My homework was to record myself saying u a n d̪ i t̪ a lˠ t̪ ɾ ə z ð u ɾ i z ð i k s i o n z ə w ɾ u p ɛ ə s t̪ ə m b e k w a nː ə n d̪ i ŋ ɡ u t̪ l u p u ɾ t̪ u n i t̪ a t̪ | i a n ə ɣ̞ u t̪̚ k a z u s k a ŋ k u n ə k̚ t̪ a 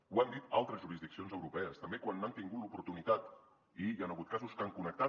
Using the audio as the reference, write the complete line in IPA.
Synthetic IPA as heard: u a n d̪ i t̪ a lˠ t̪ ɾ ə z ʒ u ɾ i z ð i k s i o n z ə w ɾ u p ɛ ə s t̪ ə m b e k w a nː a n t̪ i ŋ ɡ u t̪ l u p u ɾ t̪ u n i t̪ a t̪ | i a n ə ɣ̞ u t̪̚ k a z u s k a ŋ k u n ə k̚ t̪ a